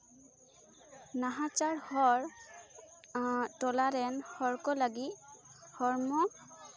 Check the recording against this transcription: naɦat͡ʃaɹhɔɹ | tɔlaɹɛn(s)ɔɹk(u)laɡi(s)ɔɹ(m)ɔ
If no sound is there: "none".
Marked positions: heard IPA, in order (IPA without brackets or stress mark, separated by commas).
h, ɔ, h, m